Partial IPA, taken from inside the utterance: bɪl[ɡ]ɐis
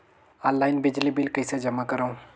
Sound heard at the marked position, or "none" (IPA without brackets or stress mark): k